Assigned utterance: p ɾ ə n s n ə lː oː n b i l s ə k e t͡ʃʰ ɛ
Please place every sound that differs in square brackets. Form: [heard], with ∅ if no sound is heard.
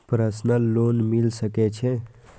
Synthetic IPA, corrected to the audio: p ɾ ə [∅] s n ə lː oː n [m] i l s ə k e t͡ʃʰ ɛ